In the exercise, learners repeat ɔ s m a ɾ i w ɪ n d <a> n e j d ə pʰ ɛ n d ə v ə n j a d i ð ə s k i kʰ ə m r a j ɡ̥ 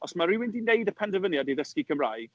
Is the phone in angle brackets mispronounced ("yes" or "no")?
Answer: yes